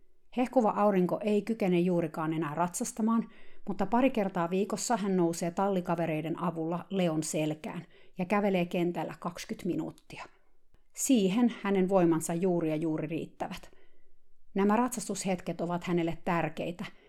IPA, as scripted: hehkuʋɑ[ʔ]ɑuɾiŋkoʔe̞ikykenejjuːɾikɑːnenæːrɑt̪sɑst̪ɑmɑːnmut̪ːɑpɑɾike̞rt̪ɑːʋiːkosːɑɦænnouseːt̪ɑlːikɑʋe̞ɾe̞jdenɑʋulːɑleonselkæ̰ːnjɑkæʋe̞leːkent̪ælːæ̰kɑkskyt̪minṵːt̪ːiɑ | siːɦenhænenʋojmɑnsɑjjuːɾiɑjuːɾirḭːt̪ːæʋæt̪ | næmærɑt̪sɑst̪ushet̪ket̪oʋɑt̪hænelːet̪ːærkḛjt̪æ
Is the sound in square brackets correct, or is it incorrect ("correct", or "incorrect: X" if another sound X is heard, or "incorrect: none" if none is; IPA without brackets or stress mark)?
correct